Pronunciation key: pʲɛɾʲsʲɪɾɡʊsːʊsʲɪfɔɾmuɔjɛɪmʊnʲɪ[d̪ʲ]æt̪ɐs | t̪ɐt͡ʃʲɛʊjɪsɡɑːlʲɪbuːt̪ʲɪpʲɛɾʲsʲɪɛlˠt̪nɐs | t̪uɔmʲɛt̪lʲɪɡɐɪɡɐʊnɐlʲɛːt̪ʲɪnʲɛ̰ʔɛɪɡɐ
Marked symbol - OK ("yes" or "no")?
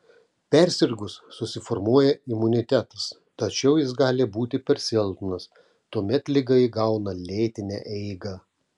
no